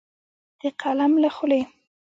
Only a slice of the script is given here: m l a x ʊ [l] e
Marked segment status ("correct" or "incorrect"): correct